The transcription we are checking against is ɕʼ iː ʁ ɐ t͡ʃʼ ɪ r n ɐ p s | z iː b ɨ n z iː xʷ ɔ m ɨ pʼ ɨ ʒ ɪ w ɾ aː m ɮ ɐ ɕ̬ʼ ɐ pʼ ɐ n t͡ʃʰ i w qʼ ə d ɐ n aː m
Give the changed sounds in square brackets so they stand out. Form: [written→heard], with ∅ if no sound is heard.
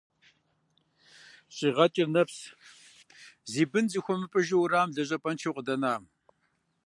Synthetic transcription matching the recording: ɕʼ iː ʁ ɐ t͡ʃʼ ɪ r n ɐ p s | z iː b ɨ n z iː xʷ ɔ m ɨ pʼ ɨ ʒ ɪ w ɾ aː m ɮ ɐ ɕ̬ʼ ɐ pʼ ɐ n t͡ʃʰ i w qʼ ə d ɐ n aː m